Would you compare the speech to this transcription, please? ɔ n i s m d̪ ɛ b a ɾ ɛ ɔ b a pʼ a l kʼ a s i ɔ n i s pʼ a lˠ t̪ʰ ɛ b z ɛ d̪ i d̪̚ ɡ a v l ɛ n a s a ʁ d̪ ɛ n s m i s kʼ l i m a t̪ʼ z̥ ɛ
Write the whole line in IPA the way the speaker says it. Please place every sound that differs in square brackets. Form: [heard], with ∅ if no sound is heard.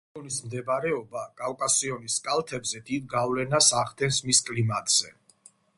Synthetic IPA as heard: ɔ n i s m d̪ ɛ b a ɾ ɛ ɔ b a [kʼ] a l kʼ a s i ɔ n i s [kʼ] a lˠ t̪ʰ ɛ b z ɛ d̪ i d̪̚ ɡ a v l ɛ n a s a ʁ d̪ ɛ n s m i s kʼ l i m a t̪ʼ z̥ ɛ